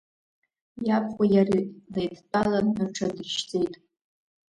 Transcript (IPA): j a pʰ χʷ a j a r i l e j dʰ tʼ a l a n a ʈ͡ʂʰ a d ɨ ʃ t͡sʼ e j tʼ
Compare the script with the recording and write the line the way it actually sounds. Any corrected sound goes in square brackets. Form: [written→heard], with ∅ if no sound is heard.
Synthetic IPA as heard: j a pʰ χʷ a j a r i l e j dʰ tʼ a l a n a ʈ͡ʂʰ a d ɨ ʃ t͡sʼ e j tʼ